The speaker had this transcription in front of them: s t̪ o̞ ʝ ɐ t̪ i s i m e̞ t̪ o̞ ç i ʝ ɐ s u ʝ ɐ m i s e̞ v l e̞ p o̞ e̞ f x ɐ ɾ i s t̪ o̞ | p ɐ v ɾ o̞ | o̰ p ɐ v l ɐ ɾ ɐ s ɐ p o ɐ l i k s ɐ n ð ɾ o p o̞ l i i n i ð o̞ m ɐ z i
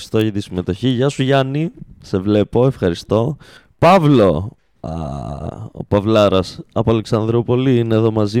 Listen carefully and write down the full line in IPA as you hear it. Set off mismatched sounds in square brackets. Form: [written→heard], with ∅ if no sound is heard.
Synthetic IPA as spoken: s t̪ o̞ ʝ ɐ t̪ i s i m e̞ t̪ o̞ ç i ʝ ɐ s u ʝ ɐ [m→n] i s e̞ v l e̞ p o̞ e̞ f x ɐ ɾ i s t̪ o̞ | p ɐ v [ɾ→l] o̞ | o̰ p ɐ v l ɐ ɾ ɐ s ɐ p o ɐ l [i→e] k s ɐ n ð ɾ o p o̞ l i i n [i→e] ð o̞ m ɐ z i